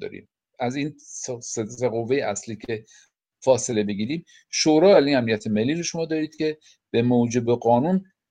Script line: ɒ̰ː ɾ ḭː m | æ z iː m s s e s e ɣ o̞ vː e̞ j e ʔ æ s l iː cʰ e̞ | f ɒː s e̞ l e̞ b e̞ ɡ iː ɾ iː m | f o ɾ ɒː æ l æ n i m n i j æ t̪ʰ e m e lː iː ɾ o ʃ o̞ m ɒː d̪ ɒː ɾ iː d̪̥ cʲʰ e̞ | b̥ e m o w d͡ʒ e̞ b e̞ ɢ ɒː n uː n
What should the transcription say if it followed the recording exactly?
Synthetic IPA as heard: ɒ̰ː ɾ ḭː m | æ z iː n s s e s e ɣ o̞ vː e̞ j e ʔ æ s l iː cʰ e̞ | f ɒː s e̞ l e̞ b e̞ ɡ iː ɾ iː m | ʃ o ɾ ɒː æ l i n æ m n i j æ t̪ʰ e m e lː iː ɾ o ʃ o̞ m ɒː d̪ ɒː ɾ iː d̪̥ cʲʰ e̞ | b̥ e m o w d͡ʒ e̞ b e̞ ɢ ɒː n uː n